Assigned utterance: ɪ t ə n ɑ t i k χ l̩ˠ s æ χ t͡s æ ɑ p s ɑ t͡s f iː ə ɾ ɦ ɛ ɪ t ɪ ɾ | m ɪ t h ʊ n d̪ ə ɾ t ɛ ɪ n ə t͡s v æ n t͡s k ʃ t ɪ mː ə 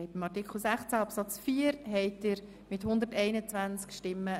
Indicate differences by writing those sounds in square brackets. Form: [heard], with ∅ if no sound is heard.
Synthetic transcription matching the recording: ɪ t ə [m] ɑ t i k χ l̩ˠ s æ χ t͡s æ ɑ p s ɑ t͡s f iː ə ɾ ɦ ɛ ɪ t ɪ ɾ | m ɪ t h ʊ n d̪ ə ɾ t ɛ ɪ n ə t͡s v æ n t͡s k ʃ t ɪ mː ə